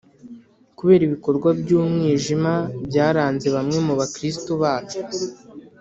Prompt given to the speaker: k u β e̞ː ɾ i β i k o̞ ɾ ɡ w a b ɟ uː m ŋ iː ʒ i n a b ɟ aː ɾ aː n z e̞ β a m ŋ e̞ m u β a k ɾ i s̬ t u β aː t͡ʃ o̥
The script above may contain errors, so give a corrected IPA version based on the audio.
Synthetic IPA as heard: k u β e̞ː ɾ i β i k o̞ ɾ ɡ w a b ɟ uː m ŋ iː ʒ i m a b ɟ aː ɾ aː n z e̞ β a m ŋ e̞ m u β a k ɾ i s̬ t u β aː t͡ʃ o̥